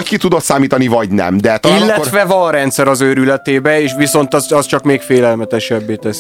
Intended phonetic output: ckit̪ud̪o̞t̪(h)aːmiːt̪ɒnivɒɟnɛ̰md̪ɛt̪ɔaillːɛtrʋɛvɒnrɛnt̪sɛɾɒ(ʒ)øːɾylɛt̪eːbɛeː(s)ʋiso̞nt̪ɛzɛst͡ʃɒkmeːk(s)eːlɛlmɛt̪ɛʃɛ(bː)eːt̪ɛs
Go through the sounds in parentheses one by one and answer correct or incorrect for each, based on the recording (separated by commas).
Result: incorrect, incorrect, incorrect, incorrect, correct